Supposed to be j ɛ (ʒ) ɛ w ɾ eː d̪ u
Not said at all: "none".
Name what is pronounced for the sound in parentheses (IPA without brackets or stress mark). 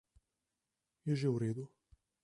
ʒ